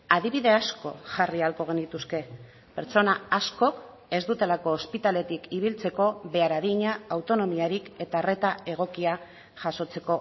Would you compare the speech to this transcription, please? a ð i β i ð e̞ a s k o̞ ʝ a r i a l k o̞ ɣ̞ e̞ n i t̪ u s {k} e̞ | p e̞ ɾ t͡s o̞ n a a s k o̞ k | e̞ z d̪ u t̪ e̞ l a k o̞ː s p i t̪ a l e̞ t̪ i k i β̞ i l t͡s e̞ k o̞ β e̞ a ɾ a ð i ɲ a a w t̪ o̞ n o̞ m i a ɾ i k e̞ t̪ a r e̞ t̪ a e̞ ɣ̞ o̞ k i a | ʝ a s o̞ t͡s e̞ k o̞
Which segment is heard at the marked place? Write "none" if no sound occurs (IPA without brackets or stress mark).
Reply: k